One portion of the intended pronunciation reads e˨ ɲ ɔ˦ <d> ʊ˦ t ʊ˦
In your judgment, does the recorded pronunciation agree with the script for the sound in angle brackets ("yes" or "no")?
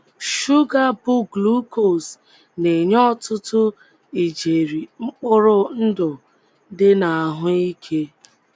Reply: no